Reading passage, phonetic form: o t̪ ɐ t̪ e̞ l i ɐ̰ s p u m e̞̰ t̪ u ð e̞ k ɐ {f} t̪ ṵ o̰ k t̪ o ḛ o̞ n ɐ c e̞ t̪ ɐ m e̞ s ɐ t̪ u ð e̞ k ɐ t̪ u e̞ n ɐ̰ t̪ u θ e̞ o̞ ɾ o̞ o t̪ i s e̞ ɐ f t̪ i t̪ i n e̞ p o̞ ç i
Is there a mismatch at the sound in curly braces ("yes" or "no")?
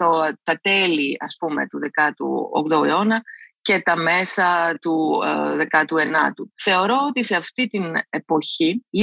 yes